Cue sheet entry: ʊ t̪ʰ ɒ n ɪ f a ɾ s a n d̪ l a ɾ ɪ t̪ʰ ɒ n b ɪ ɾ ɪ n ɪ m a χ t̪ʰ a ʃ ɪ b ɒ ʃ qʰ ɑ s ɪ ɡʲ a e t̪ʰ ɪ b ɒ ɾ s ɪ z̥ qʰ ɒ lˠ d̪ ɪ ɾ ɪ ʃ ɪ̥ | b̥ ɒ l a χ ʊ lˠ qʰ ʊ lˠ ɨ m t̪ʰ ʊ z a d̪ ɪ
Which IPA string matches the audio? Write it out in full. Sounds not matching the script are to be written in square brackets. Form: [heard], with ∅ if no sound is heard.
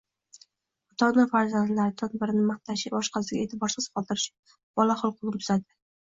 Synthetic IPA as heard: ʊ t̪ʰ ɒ n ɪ f a ɾ [z] a n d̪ l a ɾ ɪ t̪ʰ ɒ n b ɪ ɾ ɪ n ɪ m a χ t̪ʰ a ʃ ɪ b ɒ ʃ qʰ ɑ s ɪ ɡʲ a e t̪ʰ ɪ b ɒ ɾ s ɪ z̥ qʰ ɒ lˠ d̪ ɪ ɾ ɪ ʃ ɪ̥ | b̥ ɒ l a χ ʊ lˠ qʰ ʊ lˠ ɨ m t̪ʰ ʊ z a d̪ ɪ